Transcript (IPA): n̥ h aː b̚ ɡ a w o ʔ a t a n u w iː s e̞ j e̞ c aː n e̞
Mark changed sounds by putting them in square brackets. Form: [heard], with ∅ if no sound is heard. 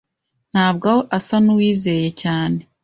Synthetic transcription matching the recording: n̥ h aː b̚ ɡ a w o ʔ a [s] a n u w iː [z] e̞ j e̞ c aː n e̞